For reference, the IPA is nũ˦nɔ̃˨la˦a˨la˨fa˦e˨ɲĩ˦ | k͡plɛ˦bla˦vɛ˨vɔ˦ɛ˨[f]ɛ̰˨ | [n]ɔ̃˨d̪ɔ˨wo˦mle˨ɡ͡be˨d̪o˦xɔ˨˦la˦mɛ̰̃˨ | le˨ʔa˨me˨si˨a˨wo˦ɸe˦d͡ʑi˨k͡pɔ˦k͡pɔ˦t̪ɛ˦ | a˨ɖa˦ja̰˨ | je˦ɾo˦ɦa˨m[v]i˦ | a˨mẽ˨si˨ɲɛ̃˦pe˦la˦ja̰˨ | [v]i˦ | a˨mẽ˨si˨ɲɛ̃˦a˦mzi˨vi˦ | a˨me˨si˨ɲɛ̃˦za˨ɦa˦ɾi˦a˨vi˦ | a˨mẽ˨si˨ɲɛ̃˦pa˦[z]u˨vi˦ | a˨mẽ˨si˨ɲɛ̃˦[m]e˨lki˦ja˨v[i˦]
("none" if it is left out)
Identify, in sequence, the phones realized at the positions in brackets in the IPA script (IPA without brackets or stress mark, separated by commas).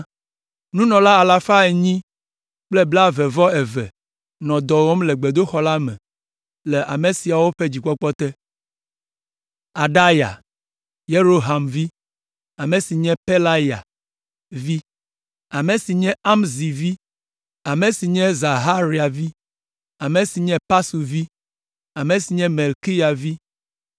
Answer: v, n, v, v, s, m, i˦